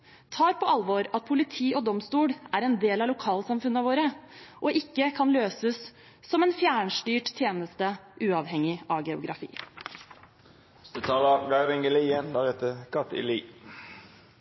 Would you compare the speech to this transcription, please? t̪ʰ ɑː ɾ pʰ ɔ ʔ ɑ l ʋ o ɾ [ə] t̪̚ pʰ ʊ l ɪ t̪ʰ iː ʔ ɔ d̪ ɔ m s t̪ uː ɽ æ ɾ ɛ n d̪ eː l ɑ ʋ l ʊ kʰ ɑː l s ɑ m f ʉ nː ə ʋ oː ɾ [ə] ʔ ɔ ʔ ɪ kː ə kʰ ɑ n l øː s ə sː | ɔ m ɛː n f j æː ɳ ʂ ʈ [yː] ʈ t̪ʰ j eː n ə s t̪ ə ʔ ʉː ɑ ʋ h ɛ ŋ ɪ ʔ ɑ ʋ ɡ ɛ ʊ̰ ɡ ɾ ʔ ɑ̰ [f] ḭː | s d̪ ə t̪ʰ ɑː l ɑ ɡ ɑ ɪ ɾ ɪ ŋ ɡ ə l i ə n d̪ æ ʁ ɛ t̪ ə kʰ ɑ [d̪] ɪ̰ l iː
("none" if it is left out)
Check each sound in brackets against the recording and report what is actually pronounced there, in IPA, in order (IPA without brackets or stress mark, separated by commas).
ɑ, ə, yː, f, t̪